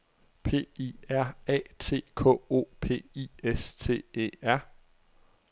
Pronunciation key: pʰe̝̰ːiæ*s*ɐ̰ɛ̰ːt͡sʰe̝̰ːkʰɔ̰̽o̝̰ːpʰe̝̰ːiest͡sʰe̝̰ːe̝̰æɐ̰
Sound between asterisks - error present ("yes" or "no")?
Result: yes